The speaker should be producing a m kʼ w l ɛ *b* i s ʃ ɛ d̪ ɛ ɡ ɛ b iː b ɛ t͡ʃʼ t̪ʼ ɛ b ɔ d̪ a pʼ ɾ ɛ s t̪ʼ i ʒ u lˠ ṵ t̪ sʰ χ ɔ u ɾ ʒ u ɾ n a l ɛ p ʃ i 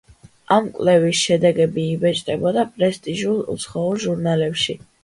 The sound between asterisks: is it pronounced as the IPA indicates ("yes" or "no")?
no